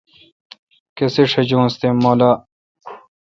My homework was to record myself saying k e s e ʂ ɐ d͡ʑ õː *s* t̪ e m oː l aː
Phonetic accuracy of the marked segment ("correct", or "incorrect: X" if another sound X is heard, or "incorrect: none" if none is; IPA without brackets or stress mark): correct